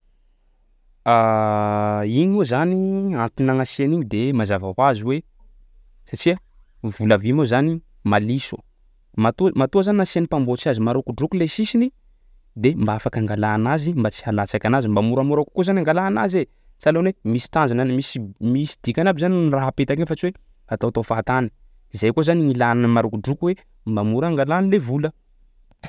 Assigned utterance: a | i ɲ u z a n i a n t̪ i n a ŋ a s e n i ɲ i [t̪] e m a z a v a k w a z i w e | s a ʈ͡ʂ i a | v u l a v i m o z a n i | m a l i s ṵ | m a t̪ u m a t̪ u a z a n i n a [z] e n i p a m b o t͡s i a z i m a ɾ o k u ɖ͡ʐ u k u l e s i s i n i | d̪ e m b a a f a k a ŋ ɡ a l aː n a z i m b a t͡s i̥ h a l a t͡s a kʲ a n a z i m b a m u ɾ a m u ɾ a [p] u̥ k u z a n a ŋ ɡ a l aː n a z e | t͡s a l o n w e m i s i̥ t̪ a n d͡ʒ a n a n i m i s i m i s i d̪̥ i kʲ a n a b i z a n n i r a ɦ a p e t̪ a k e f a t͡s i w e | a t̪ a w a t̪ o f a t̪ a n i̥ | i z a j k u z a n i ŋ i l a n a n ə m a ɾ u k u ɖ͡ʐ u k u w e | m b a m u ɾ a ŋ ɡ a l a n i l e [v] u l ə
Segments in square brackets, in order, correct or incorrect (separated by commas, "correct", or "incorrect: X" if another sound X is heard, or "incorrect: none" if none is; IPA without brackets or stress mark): incorrect: d̪, incorrect: s, incorrect: k, correct